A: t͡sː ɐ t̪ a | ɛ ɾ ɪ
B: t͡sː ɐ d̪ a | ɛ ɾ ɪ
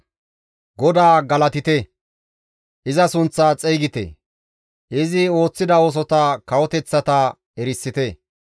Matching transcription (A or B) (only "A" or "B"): A